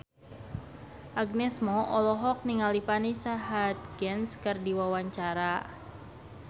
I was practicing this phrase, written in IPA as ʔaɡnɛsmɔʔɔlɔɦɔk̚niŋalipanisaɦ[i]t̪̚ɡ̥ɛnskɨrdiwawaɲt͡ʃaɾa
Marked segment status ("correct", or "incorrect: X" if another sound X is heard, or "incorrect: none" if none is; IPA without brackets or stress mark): incorrect: a